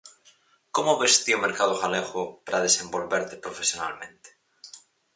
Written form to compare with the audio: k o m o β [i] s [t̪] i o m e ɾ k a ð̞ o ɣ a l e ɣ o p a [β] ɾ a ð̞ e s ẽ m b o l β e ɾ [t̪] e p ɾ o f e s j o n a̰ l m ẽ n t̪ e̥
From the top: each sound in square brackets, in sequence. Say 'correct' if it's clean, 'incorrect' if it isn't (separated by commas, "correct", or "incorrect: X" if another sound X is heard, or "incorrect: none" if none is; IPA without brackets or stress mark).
incorrect: e, correct, incorrect: none, correct